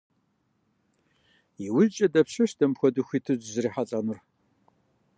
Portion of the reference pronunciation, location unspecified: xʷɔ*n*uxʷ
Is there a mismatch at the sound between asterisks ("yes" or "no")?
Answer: yes